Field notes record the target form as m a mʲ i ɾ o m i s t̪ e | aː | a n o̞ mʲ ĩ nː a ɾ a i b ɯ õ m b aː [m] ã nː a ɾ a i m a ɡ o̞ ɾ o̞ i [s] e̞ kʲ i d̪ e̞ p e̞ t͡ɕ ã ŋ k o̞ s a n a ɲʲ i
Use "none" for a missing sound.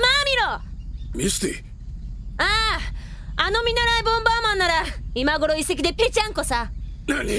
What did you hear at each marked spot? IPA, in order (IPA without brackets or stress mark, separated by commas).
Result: m, s